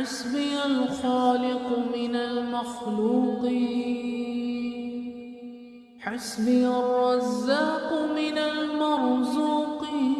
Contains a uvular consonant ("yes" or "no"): yes